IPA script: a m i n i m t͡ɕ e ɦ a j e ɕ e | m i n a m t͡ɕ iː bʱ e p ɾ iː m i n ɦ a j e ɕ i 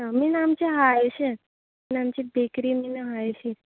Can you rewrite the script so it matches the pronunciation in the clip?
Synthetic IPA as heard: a m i n a m t͡ɕ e ɦ a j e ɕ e | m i n a m t͡ɕ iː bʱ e k ɾ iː m i n ɦ a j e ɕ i